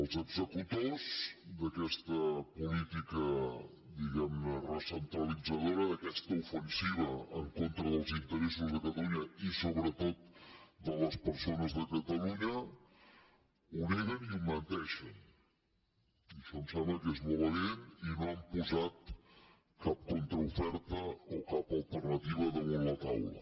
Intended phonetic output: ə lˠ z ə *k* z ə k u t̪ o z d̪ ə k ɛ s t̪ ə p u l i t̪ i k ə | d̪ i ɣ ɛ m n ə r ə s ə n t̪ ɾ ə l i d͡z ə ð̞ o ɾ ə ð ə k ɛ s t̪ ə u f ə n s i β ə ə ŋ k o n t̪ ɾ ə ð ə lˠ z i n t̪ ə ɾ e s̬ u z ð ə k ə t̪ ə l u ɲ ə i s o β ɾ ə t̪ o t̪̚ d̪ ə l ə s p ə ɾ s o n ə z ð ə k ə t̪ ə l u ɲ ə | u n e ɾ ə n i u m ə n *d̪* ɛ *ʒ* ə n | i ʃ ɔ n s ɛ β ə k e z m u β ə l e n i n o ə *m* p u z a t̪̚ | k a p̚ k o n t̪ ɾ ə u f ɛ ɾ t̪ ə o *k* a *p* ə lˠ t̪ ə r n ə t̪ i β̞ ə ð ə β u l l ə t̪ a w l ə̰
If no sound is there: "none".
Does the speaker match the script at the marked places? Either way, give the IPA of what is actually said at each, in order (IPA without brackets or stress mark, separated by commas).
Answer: ɡ, t̪, ʃ, m, k, p